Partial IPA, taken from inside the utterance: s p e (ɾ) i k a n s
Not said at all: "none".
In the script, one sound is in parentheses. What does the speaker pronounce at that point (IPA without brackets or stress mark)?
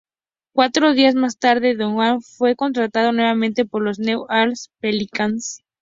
l